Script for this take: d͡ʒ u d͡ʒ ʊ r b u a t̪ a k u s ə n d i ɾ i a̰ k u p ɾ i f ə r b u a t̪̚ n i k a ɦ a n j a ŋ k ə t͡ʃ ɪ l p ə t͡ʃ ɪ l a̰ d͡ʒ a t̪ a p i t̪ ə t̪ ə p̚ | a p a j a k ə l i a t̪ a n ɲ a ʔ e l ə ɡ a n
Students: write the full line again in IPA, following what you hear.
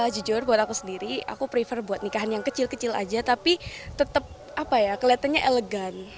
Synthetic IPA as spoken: d͡ʒ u d͡ʒ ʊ r b u a t̪ a k u s ə n d i ɾ i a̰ k u p ɾ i f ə r b u a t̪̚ n i k a ɦ a n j a ŋ k ə t͡ʃ ɪ l k ə t͡ʃ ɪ l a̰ d͡ʒ a t̪ a p i t̪ ə t̪ ə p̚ | a p a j a k ə l i a t̪ a n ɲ a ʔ e l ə ɡ a n